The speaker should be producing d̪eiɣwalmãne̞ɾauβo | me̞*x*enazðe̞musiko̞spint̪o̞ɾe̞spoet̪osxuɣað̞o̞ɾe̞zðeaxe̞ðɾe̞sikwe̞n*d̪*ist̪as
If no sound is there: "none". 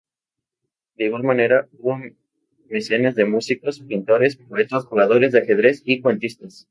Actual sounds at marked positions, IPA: s, t̪

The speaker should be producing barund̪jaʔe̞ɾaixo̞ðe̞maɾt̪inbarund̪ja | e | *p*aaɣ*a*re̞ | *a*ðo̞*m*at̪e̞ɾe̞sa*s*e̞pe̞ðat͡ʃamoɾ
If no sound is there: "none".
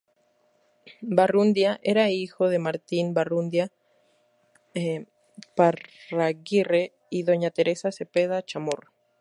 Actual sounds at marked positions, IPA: p, i, i, ɲ, s

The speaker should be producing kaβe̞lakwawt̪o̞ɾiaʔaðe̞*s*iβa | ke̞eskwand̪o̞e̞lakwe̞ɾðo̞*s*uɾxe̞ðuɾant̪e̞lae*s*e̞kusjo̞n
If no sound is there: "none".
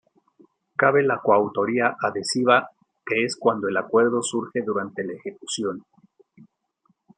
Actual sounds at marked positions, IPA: s, s, x

